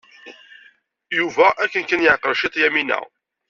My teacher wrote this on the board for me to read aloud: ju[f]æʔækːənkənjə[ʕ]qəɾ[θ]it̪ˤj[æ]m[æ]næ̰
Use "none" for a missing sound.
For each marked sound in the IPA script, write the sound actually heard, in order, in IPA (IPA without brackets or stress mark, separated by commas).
v, ʕ, ʃ, æ, i